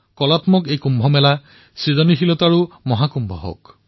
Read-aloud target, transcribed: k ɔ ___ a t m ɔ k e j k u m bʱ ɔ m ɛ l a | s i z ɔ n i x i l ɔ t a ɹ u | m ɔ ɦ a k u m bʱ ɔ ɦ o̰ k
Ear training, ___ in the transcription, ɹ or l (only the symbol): l